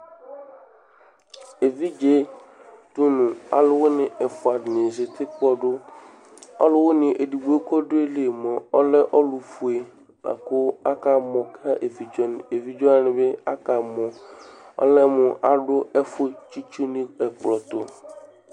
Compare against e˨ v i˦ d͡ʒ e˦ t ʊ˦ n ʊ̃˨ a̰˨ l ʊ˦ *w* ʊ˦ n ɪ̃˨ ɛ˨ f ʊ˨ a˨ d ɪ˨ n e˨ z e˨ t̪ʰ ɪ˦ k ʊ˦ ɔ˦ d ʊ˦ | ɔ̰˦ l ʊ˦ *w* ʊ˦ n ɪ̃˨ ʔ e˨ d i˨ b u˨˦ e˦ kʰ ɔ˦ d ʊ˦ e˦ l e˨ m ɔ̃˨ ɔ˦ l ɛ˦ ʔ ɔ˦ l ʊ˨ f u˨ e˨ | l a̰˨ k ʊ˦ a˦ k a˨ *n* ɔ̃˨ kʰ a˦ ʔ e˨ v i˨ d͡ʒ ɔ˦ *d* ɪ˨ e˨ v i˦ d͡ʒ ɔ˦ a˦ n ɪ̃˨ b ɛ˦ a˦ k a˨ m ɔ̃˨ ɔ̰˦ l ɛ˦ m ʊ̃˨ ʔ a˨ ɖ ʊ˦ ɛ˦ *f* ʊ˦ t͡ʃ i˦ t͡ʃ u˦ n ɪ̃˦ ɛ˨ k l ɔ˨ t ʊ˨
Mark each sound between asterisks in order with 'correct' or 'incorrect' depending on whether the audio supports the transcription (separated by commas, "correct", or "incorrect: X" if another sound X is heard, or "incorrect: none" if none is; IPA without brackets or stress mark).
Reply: correct, correct, incorrect: m, incorrect: n, correct